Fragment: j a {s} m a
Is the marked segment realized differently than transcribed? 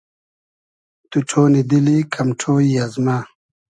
yes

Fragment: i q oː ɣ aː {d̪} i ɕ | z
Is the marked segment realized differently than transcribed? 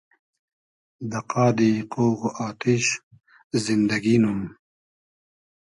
yes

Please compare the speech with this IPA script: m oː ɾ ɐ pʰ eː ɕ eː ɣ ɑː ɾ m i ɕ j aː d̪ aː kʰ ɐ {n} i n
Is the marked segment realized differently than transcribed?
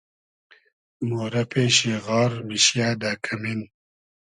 yes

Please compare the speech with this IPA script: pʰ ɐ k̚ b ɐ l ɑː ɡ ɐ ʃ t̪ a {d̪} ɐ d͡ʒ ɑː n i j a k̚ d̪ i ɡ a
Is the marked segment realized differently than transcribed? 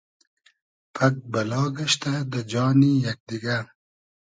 no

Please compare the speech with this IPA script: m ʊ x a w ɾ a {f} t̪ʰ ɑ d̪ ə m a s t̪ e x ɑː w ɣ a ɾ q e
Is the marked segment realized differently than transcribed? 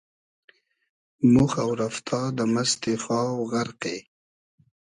no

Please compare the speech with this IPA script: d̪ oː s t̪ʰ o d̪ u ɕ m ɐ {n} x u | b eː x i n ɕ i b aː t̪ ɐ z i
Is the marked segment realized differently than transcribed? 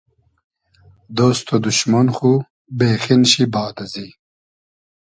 no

